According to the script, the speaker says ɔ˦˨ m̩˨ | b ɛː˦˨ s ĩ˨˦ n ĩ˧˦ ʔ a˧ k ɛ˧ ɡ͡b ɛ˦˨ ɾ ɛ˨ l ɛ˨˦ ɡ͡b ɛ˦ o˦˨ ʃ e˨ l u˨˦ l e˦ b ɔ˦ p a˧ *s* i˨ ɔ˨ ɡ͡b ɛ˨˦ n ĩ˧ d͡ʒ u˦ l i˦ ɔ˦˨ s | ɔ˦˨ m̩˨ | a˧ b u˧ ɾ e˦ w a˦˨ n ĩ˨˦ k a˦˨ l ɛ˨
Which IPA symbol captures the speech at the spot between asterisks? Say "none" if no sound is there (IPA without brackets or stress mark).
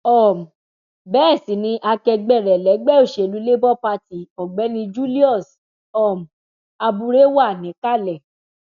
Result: t